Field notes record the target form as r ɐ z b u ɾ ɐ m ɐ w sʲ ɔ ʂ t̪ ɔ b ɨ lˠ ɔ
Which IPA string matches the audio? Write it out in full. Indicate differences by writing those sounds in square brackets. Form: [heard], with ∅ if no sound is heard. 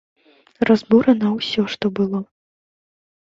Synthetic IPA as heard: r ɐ z b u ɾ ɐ [n] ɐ w sʲ ɔ ʂ t̪ ɔ b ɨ lˠ ɔ